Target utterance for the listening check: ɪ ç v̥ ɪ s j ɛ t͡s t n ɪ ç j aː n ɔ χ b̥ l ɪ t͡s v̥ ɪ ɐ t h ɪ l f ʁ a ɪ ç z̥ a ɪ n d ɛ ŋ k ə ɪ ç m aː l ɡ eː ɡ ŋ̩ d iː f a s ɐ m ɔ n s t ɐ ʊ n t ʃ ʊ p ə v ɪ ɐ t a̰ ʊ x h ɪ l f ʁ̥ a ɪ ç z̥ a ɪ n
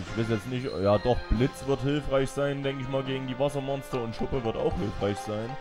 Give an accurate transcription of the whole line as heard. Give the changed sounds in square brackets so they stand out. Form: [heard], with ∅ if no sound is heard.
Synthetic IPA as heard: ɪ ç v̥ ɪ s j ɛ t͡s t n ɪ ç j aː [d] ɔ χ b̥ l ɪ t͡s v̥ ɪ ɐ t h ɪ l f ʁ a ɪ ç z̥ a ɪ n d ɛ ŋ k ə ɪ ç m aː l ɡ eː ɡ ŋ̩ d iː [v] a s ɐ m ɔ n s t ɐ ʊ n t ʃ ʊ p ə v ɪ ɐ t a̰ ʊ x h ɪ l f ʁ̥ a ɪ ç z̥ a ɪ n